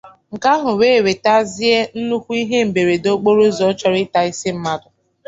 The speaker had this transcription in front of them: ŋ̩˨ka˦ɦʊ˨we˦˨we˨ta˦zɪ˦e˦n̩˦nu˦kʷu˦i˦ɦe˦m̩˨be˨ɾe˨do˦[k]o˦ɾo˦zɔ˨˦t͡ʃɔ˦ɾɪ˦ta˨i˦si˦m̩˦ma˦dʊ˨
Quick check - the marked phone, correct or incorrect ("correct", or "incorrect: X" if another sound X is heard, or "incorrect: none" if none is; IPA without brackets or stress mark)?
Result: incorrect: k͡p